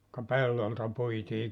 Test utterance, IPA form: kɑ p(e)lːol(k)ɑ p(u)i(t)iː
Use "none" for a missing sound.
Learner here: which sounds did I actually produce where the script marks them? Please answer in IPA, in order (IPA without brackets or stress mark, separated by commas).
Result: e, t, u, t